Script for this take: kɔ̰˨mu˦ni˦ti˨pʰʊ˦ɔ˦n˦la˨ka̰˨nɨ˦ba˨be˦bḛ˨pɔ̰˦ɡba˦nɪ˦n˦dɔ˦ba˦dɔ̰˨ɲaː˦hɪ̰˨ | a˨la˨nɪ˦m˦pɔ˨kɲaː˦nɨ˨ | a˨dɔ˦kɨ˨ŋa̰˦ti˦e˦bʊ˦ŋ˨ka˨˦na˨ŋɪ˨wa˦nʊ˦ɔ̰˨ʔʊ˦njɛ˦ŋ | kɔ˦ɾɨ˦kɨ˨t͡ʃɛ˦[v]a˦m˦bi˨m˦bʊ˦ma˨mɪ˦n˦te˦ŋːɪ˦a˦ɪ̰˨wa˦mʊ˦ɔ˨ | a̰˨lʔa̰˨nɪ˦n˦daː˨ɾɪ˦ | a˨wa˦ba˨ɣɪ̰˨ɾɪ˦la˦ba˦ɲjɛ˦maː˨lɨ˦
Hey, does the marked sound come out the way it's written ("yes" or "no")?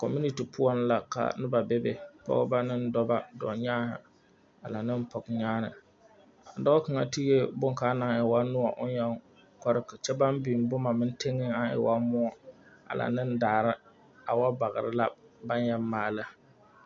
no